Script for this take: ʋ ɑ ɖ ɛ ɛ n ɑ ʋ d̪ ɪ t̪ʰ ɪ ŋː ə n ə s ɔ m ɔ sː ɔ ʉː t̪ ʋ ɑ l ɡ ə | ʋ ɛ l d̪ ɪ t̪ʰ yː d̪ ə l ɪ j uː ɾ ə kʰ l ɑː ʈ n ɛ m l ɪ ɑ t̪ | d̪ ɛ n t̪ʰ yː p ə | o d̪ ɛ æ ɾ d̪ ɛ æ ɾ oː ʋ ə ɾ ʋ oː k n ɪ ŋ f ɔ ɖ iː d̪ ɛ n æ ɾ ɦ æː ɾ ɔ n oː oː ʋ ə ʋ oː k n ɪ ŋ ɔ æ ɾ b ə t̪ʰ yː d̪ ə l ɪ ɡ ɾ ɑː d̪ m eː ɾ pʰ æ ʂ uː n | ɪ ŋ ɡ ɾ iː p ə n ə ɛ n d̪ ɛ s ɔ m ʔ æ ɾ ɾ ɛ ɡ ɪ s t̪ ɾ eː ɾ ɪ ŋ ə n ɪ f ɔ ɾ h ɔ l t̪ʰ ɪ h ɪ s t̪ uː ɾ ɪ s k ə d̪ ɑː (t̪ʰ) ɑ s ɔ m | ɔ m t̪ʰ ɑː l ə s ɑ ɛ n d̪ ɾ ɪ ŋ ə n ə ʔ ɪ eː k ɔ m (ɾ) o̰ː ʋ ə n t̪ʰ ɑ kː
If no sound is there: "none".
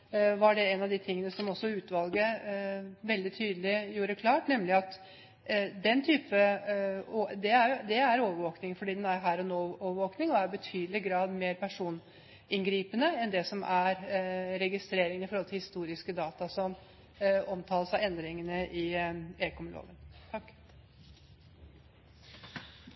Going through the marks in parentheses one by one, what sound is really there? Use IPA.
t̪, l

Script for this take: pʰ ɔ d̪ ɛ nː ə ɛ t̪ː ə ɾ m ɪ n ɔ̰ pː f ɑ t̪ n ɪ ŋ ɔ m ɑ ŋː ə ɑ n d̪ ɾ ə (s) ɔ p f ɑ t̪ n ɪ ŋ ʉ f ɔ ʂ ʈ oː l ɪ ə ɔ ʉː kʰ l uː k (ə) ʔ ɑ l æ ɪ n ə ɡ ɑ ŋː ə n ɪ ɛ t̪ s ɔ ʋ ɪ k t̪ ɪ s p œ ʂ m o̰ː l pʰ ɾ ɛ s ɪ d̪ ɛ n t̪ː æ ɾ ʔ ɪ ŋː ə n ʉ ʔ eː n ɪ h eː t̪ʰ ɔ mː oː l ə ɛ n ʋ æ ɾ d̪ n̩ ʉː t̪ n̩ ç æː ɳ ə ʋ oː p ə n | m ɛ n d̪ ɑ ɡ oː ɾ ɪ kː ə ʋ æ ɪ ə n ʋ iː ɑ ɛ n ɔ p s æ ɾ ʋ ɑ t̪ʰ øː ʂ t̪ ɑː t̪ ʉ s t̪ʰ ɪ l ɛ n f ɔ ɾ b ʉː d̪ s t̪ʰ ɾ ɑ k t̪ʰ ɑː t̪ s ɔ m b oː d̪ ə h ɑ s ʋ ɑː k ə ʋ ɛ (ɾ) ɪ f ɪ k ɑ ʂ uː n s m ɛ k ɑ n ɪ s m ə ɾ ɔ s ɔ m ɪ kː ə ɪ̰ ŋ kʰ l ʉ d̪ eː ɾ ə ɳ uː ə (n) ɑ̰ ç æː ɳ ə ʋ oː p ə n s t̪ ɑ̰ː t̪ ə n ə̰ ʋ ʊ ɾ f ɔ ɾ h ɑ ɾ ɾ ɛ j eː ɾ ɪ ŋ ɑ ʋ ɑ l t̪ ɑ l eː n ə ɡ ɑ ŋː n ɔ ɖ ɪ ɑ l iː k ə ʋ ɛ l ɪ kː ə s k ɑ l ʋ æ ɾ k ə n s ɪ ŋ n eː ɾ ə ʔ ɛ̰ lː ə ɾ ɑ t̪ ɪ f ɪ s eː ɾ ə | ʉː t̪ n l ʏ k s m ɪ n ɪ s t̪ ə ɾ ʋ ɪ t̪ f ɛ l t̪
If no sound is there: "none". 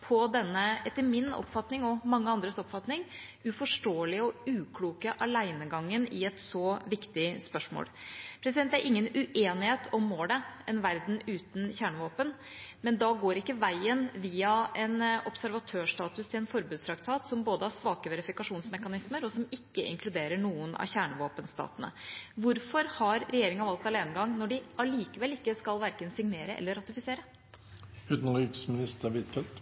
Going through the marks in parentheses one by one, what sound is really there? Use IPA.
s, ə, ɾ, n

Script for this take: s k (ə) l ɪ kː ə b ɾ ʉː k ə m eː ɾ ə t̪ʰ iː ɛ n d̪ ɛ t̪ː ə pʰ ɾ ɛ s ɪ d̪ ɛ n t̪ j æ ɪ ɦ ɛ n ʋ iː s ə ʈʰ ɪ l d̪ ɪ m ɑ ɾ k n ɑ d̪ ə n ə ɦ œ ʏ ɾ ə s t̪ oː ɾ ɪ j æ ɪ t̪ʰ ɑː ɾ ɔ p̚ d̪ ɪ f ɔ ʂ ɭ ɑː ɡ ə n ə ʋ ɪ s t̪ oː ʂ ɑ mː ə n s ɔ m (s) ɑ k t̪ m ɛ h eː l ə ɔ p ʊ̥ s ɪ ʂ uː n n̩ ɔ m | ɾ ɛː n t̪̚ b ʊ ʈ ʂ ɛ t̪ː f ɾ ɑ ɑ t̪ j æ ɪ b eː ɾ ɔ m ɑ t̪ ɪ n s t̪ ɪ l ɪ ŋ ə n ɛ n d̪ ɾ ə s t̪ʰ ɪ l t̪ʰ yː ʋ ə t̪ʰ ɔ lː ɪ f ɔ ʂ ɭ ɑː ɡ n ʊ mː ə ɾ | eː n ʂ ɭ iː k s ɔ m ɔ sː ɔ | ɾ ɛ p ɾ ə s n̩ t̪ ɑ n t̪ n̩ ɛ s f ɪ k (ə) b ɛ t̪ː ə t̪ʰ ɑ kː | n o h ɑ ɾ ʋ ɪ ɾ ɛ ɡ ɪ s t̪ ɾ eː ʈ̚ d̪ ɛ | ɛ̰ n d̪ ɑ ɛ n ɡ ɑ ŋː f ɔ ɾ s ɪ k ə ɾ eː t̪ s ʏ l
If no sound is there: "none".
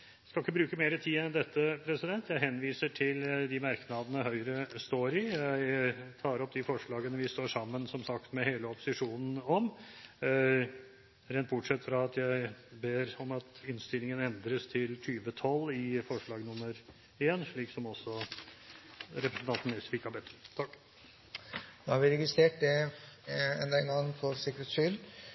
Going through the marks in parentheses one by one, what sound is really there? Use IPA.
ɑ, s, ɑ

